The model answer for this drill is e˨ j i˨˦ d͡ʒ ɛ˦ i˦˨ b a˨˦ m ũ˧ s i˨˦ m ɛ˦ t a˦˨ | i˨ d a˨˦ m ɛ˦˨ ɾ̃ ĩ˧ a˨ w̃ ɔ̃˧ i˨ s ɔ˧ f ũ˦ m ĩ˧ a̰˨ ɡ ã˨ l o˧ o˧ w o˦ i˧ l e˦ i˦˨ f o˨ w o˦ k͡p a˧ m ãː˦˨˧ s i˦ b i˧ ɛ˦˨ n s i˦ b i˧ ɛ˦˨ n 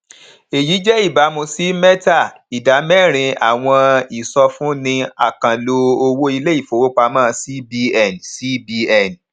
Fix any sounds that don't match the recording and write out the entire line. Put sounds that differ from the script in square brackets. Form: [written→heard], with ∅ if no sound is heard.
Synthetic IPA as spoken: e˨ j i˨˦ d͡ʒ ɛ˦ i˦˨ b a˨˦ m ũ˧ s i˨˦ m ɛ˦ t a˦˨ | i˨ d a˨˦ m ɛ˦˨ ɾ̃ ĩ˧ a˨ w̃ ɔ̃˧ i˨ s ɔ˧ f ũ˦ [m→n] ĩ˧ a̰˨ [ɡ→k] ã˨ l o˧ o˧ w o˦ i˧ l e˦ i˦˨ f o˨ w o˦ k͡p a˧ m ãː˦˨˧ s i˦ b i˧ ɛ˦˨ n s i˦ b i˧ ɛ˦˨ n